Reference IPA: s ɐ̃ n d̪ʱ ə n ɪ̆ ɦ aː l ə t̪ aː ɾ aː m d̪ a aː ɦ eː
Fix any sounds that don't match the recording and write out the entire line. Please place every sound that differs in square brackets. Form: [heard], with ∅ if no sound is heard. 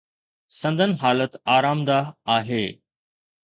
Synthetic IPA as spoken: s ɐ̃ n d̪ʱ ə n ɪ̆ ɦ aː l ə t̪ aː ɾ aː m d̪ a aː ɦ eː